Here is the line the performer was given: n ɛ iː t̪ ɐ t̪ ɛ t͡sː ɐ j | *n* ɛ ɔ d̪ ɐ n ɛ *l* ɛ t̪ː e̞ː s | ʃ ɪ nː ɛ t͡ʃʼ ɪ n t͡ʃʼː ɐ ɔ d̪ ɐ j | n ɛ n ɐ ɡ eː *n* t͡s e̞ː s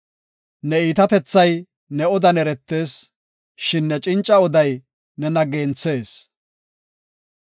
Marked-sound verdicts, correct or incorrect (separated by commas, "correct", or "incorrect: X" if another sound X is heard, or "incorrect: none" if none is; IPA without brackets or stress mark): correct, incorrect: ɾ, correct